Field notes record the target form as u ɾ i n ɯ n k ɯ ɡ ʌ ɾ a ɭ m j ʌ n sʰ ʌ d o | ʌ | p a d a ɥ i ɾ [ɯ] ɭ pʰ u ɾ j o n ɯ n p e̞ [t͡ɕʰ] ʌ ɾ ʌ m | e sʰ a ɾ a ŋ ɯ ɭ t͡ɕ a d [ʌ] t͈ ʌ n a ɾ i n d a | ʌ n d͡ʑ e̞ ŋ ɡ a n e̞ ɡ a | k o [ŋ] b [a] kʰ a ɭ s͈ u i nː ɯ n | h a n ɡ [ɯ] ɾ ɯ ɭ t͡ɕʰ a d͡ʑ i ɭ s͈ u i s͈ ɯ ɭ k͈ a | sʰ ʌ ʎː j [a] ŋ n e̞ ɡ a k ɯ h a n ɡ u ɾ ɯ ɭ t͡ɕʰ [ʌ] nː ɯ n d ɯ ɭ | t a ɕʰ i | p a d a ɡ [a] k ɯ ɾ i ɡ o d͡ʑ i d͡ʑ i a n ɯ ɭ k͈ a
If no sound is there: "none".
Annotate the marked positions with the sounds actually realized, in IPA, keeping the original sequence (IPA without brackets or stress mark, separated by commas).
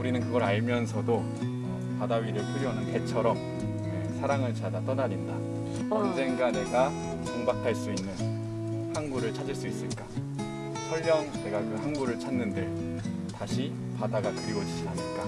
ɯ, t͡ɕʰ, a, ŋ, a, u, ʌ, a, a